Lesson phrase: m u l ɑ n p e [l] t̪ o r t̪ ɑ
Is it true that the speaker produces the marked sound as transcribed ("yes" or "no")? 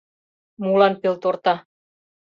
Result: yes